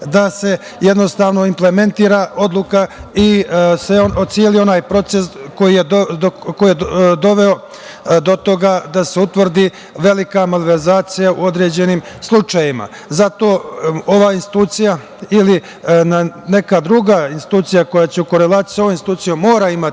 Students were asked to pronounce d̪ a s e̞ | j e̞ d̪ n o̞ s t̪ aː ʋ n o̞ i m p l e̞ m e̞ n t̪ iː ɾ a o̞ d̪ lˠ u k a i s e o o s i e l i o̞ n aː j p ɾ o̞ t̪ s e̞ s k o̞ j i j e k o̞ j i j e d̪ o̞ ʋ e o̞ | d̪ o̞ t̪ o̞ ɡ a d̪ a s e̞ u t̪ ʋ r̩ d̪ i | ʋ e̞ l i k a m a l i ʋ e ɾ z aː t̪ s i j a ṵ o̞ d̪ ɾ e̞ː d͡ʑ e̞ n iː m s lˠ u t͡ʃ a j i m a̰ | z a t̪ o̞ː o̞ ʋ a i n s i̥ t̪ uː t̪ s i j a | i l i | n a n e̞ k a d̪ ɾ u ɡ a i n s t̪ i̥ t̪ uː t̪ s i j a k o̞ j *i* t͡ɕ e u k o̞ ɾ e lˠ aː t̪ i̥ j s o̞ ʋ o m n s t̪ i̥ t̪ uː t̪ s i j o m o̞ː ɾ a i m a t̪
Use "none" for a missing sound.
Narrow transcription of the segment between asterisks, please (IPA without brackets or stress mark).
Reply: a